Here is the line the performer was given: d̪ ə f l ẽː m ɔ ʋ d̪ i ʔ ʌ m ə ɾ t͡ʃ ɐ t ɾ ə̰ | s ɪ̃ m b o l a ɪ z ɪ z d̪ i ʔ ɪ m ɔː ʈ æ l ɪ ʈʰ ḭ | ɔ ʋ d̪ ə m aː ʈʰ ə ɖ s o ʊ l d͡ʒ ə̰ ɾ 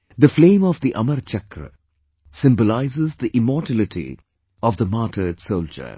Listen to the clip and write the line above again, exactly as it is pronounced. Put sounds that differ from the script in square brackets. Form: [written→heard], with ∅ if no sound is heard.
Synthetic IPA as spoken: d̪ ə f l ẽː m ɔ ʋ d̪ i ʔ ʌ m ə ɾ t͡ʃ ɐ [t→k] ɾ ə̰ | s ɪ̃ m b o l a ɪ z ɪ z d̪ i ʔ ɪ m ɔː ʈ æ l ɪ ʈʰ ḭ | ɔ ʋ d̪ ə m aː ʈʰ ə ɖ s o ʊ l d͡ʒ ə̰ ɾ